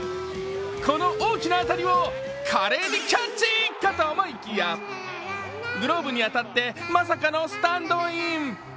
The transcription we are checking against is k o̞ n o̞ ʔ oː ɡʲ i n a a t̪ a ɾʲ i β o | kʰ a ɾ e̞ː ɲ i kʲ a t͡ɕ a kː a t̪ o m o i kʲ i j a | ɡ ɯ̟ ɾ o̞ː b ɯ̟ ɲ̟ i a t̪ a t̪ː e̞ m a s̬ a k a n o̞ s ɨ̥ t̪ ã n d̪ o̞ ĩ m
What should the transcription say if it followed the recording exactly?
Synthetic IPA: k o̞ n o̞ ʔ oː kʲ i n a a t̪ a ɾʲ i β o | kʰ a ɾ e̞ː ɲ i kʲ a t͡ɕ i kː a t̪ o m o i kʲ i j a | ɡ ɯ̟ ɾ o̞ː b ɯ̟ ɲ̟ i a t̪ a t̪ː e̞ m a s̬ a k a n o̞ s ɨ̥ t̪ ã n d̪ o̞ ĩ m